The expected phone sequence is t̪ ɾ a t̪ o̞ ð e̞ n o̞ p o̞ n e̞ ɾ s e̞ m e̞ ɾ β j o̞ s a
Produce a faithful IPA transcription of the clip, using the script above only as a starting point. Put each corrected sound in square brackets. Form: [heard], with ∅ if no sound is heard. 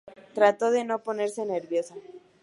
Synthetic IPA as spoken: t̪ ɾ a t̪ o̞ ð e̞ n o̞ p o̞ n e̞ ɾ s e̞ [n] e̞ ɾ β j o̞ s a